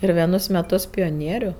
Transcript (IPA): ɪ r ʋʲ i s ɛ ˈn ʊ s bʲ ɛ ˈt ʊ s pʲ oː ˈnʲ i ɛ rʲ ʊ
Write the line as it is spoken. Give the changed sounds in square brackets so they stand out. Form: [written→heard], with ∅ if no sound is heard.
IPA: ɪ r ʋʲ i [s→∅] ɛ ˈn ʊ s [bʲ→mʲ] ɛ ˈt ʊ s pʲ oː ˈnʲ i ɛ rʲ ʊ